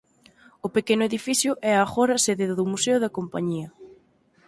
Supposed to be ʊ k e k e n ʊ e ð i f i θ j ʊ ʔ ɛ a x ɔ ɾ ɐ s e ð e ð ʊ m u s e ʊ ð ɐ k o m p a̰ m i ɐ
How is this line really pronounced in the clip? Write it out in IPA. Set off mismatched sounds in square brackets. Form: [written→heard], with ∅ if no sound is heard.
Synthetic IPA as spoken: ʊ [k→p] e k e n ʊ e ð i f i θ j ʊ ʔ ɛ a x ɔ ɾ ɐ s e ð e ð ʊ m u s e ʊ ð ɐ k o m p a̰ [m→ɲ] i ɐ